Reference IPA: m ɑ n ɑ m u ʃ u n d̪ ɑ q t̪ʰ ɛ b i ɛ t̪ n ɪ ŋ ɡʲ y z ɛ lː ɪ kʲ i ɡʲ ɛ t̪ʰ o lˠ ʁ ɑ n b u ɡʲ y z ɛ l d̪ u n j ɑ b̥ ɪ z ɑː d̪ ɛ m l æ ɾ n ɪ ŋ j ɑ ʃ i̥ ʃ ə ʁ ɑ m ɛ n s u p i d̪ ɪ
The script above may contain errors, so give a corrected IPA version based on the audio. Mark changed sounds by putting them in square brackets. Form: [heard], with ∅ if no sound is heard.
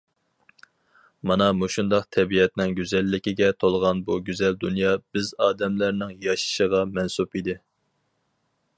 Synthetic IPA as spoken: m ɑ n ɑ m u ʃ u n d̪ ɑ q t̪ʰ ɛ b i ɛ t̪ n ɪ ŋ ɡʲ y z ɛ lː ɪ kʲ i ɡʲ ɛ t̪ʰ o lˠ ʁ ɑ n b u ɡʲ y z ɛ l d̪ u n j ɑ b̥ ɪ z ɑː d̪ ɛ m l æ ɾ n ɪ ŋ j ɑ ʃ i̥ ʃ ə ʁ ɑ m ɛ n s u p i d̪ ɪ